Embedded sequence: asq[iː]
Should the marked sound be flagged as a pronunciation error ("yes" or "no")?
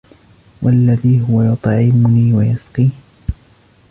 no